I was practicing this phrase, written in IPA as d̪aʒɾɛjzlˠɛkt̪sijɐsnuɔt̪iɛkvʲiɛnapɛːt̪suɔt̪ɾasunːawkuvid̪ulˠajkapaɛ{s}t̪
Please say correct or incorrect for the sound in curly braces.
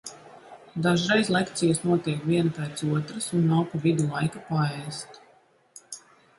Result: correct